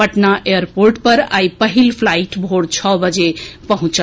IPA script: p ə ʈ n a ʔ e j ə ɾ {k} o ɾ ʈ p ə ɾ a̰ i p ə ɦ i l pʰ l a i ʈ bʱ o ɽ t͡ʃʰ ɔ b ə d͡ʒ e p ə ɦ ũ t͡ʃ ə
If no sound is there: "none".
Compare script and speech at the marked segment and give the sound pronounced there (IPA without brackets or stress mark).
p